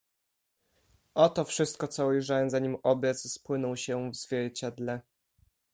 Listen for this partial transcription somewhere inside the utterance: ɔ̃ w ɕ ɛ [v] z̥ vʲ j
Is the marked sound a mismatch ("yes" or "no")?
no